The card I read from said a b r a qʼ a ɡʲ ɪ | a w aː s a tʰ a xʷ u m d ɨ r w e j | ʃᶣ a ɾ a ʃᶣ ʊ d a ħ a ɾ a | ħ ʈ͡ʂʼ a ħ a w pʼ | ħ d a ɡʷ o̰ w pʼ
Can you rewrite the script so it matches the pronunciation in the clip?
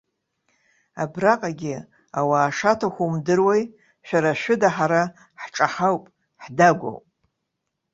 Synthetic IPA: a b r a qʼ a ɡʲ ɪ | a w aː ʂ a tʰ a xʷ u m d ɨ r w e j | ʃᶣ a ɾ a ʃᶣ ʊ d a ħ a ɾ a | ħ ʈ͡ʂʼ a ħ a w pʼ | ħ d a ɡʷ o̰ w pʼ